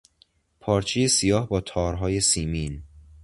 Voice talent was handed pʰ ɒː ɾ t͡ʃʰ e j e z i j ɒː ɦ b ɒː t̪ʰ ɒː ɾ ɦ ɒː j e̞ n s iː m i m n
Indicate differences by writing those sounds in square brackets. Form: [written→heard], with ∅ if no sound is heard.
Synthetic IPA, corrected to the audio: pʰ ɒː ɾ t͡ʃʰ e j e [z→s] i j ɒː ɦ b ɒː t̪ʰ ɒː ɾ ɦ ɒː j e̞ [n→∅] s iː m i [m→∅] n